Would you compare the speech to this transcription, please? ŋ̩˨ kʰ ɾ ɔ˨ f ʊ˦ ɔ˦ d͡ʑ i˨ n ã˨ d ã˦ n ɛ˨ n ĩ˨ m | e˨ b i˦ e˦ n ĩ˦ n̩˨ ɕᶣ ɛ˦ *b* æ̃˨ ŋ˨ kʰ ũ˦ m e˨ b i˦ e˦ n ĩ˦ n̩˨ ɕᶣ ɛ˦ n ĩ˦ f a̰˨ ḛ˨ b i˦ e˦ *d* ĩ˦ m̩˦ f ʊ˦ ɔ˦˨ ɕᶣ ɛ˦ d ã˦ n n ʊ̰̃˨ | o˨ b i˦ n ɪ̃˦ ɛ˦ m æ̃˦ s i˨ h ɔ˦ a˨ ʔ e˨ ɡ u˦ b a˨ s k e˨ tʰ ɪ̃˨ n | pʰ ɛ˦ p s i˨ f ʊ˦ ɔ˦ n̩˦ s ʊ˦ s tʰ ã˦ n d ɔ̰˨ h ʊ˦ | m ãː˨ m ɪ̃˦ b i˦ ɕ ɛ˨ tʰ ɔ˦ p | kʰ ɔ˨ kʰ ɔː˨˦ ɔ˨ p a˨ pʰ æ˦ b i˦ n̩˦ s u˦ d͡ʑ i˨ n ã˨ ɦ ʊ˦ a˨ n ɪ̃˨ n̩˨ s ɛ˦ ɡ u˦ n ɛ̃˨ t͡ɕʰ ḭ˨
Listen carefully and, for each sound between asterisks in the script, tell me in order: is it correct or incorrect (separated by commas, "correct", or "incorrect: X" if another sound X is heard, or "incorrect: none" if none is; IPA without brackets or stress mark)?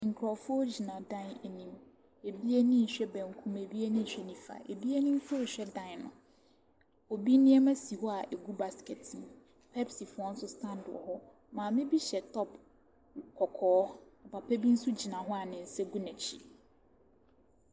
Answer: correct, incorrect: n